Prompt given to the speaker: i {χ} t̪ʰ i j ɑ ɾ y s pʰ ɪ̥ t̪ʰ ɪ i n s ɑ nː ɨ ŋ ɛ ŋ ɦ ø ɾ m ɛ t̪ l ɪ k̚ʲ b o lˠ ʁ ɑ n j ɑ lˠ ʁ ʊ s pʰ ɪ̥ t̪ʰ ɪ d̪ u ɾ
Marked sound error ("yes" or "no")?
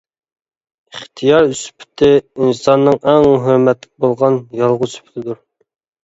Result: no